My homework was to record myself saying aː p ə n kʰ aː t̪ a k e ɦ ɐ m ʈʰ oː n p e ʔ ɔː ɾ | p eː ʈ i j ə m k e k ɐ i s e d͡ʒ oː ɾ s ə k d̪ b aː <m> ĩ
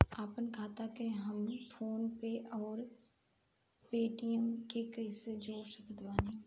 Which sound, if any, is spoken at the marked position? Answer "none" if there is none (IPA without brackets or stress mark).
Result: n